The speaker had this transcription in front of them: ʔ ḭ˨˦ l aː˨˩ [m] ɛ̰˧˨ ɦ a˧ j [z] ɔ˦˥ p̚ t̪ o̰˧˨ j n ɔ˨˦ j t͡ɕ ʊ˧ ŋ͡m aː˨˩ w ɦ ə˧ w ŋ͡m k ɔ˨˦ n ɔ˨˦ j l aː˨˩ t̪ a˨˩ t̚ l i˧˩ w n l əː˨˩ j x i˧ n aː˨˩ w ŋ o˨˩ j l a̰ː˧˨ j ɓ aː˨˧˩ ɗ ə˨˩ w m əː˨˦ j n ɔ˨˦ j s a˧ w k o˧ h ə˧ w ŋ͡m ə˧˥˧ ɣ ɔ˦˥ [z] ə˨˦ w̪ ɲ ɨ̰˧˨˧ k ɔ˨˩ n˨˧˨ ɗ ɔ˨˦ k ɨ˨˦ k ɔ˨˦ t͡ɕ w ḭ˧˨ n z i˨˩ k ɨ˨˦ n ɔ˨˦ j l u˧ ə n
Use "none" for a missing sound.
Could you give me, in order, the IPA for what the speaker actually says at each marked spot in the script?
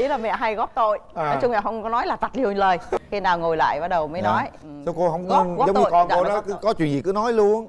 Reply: m, ɣ, z

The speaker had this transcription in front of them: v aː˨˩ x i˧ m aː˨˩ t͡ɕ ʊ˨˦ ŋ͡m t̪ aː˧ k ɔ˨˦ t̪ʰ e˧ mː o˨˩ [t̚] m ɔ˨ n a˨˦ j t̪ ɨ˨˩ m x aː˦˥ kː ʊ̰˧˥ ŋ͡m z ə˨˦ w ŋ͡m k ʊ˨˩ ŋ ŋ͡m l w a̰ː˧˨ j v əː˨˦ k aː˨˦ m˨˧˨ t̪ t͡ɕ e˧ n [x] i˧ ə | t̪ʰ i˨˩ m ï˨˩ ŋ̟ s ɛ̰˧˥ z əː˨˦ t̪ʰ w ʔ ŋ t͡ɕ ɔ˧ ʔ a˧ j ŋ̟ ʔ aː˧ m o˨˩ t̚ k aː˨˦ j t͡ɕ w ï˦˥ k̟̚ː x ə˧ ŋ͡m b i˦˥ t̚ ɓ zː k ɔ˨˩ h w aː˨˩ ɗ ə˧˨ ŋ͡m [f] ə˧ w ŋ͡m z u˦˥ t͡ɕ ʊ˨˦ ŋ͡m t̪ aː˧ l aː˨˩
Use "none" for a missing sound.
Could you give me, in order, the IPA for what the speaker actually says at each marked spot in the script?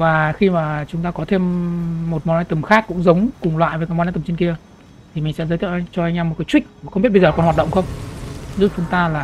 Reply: t̚, k, x

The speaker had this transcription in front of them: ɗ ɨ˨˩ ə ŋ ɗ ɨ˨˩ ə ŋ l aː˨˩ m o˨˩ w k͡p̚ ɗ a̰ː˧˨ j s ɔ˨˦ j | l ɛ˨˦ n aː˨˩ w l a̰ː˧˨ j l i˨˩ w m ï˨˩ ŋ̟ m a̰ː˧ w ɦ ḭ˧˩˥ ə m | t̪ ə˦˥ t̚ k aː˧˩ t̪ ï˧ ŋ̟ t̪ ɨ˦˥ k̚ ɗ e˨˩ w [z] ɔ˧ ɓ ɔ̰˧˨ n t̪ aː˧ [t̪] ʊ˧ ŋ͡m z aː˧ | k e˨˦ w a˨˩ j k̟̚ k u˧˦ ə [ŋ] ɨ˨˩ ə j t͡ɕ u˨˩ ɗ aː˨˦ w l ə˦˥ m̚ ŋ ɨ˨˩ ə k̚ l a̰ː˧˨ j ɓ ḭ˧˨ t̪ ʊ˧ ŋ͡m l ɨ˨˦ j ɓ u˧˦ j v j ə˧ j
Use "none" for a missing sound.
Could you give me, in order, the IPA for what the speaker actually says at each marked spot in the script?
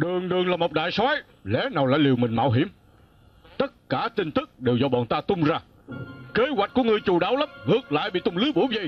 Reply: z, t̪, ŋ

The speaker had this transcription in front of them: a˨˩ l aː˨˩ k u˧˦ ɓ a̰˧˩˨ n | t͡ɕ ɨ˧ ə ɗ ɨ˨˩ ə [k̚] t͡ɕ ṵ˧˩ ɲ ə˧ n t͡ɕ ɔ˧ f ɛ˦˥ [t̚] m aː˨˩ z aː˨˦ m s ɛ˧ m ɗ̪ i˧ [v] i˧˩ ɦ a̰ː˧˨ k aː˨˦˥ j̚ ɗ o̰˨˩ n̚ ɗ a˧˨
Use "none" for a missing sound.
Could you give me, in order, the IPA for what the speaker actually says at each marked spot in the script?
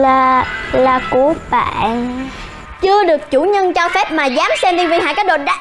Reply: k̚, p̚, v

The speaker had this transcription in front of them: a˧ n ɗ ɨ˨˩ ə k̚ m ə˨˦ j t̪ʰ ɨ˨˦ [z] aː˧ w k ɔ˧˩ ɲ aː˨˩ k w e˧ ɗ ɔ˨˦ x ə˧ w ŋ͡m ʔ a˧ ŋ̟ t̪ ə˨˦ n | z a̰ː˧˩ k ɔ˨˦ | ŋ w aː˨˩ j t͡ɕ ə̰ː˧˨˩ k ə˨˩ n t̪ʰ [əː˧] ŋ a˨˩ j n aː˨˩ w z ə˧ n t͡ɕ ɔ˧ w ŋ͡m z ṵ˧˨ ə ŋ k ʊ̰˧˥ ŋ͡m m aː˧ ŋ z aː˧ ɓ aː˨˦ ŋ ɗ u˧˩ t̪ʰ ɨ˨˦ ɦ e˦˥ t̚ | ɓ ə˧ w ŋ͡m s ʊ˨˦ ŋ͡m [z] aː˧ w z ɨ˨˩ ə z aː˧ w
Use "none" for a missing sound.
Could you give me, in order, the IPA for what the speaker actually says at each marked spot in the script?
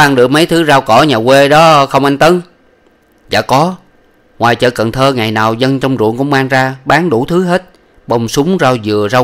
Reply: z, əː˧, z

